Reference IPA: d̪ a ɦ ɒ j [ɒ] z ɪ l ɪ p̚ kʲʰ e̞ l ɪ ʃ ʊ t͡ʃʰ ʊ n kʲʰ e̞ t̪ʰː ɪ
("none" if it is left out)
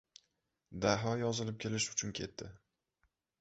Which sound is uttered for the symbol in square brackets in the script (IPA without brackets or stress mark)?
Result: ɒ